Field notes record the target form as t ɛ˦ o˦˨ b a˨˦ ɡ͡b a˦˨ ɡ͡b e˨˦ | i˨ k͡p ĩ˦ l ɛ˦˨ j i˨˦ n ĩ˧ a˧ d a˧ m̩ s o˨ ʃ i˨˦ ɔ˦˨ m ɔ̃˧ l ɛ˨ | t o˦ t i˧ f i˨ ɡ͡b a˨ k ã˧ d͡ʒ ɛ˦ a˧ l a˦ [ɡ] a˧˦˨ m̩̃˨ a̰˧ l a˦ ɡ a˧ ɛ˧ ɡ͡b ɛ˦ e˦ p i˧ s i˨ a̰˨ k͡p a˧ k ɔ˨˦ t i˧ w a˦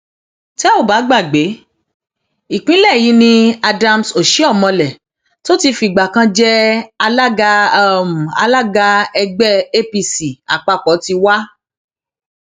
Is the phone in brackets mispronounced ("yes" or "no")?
no